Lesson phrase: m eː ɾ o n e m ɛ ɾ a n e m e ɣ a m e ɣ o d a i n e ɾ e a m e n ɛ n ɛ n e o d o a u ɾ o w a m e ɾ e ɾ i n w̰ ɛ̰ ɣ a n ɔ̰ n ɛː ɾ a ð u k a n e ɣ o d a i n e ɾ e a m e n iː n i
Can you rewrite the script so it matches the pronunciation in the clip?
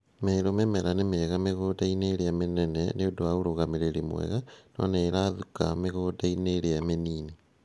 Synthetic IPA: m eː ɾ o m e m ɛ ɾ a n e m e ɣ a m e ɣ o d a i n e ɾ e a m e n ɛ n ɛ n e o d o a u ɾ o ɣ a m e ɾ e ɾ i m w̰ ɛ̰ ɣ a n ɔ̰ n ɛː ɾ a ð u k a m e ɣ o d a i n e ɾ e a m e n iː n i